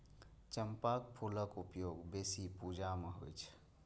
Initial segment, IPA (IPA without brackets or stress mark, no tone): t͡ʃ